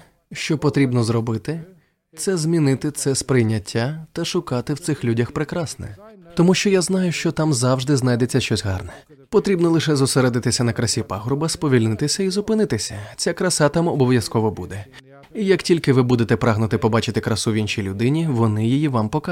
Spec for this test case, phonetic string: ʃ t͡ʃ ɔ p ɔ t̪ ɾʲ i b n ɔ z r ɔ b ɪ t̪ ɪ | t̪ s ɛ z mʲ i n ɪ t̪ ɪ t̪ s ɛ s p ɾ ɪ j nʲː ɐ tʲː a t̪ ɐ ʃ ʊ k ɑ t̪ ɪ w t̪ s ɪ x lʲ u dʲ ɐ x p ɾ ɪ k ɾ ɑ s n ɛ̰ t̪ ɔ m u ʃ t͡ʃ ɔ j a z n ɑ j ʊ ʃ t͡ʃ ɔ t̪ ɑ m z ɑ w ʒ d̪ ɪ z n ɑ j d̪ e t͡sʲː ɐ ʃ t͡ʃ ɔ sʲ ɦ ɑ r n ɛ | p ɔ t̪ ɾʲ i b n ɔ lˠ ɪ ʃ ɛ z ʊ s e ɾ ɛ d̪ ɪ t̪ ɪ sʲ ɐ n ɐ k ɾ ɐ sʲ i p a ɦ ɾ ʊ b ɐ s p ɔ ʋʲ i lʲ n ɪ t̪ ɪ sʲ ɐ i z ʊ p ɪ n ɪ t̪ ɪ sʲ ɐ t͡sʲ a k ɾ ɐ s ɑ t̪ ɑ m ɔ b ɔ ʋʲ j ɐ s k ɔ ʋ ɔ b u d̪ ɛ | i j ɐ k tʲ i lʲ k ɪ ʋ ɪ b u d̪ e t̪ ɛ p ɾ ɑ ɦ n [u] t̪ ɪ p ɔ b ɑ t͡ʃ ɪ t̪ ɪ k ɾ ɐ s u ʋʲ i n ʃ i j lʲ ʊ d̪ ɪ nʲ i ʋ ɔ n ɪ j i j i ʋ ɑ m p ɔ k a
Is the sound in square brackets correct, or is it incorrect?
incorrect